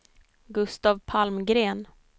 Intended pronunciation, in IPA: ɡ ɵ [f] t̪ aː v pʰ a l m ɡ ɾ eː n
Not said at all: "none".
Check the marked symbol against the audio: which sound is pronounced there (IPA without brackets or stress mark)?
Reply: s